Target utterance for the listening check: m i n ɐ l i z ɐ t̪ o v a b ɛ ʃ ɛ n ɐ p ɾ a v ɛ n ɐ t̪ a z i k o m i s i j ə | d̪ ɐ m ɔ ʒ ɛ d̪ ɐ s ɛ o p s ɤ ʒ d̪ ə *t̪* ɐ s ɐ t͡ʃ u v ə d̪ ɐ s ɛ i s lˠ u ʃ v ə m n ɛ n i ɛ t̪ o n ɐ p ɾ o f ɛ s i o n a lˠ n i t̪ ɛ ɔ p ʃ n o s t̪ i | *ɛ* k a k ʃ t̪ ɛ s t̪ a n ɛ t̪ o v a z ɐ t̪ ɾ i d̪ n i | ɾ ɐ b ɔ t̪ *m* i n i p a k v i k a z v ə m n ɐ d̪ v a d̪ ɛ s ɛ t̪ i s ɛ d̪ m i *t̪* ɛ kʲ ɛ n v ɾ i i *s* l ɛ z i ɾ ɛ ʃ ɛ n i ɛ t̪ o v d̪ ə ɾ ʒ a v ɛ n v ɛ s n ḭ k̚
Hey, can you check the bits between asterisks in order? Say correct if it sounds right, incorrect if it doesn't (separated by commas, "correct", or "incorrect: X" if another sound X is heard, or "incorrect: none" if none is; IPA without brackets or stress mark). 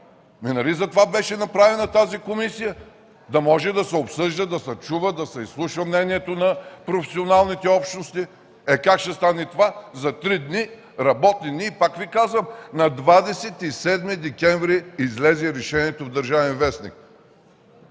incorrect: d̪, correct, incorrect: n, incorrect: d̪, incorrect: z